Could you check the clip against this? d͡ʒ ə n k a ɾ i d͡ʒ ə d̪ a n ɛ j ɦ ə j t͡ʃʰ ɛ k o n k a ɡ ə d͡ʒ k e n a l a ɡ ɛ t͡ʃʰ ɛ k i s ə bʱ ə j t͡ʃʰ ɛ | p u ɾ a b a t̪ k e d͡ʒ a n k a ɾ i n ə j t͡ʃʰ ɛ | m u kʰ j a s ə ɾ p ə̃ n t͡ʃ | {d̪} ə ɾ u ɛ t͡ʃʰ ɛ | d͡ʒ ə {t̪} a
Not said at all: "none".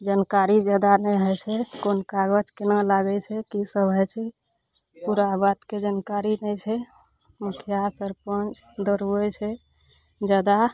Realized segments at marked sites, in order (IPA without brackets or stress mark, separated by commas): d̪, d̪